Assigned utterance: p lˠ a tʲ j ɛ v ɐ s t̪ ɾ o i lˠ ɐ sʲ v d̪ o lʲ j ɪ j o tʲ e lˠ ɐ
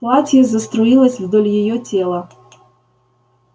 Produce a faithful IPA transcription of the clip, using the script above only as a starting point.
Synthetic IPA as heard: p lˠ a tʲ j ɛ z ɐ s t̪ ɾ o i lˠ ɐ sʲ v d̪ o lʲ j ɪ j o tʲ e lˠ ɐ